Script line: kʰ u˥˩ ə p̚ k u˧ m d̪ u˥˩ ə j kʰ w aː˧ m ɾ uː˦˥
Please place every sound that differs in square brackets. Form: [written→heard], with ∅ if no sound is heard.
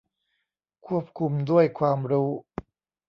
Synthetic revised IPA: kʰ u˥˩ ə p̚ [k→kʰ] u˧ m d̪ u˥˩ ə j kʰ w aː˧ m ɾ uː˦˥